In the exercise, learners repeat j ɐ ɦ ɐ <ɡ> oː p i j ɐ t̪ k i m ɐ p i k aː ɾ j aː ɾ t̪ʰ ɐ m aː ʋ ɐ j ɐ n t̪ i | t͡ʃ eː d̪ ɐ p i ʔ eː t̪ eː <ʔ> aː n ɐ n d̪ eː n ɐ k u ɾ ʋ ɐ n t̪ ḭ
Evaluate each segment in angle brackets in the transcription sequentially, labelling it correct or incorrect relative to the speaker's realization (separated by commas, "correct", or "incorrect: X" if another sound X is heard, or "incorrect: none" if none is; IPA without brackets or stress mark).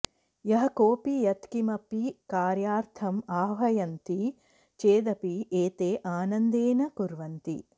incorrect: k, correct